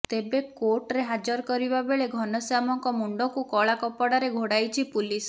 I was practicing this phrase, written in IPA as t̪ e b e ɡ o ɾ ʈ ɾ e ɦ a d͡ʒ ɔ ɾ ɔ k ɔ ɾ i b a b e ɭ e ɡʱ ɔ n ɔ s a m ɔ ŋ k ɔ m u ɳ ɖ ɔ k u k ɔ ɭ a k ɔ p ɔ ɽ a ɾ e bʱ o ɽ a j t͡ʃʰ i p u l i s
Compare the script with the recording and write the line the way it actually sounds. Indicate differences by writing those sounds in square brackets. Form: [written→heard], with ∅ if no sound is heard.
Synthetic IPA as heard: t̪ e b e [ɡ→k] o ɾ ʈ ɾ e ɦ a d͡ʒ ɔ ɾ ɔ k ɔ ɾ i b a b e ɭ e ɡʱ ɔ n ɔ s a m ɔ ŋ k ɔ m u ɳ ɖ ɔ k u k ɔ ɭ a k ɔ p ɔ ɽ a ɾ e [bʱ→ɡʱ] o ɽ a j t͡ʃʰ i p u l i s